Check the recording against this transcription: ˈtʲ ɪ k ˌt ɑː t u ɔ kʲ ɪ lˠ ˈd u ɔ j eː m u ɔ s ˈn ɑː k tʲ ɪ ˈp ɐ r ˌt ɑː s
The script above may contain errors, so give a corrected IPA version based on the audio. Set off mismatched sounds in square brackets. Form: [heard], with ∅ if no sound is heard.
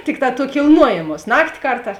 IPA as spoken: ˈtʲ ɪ k ˌt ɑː t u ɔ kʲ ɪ lˠ [ˈn] u ɔ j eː m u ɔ s ˈn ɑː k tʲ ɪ [ˈk] ɐ r ˌt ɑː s